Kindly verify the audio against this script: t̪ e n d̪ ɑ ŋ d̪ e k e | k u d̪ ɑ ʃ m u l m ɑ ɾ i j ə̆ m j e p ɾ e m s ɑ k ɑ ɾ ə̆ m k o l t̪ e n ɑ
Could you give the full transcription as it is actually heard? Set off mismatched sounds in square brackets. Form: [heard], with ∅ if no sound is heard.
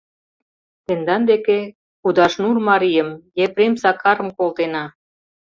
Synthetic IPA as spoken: t̪ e n d̪ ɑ [n] d̪ e k e | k u d̪ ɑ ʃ [n] u [r] m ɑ ɾ i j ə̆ m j e p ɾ e m s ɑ k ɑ ɾ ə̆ m k o l t̪ e n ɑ